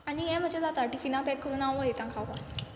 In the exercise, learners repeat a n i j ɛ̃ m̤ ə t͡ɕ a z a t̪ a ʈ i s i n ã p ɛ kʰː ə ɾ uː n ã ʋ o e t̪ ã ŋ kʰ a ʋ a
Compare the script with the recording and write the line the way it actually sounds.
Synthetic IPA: a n i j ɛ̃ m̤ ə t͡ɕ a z a t̪ a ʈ i f i n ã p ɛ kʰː ə ɾ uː n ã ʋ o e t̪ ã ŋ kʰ a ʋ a